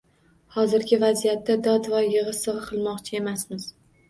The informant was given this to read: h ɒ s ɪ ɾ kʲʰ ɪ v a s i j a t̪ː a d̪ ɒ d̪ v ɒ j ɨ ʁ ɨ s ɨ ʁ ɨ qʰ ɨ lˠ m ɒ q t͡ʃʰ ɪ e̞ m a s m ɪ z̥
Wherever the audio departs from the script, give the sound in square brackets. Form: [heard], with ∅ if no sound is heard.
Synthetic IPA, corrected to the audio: h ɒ [z] ɪ ɾ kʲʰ ɪ v a [z] i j a t̪ː a d̪ ɒ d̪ v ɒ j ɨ ʁ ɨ s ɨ ʁ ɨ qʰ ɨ lˠ m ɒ q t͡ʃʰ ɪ e̞ m a s m ɪ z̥